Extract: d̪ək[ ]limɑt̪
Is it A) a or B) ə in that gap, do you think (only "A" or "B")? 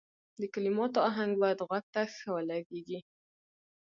A